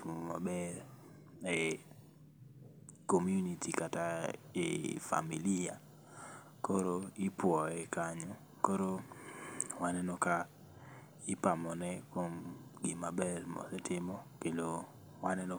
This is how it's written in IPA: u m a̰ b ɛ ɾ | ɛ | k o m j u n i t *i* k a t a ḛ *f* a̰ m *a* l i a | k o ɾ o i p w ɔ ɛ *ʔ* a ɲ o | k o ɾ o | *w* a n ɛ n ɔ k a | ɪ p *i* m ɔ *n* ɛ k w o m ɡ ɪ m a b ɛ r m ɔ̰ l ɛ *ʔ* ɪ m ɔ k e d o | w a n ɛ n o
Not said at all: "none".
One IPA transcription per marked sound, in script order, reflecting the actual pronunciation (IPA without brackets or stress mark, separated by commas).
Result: i, f, i, k, w, a, n, t